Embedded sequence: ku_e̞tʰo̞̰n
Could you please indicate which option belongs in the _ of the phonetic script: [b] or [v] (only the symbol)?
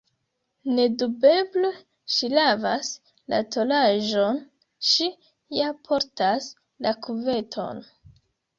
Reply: v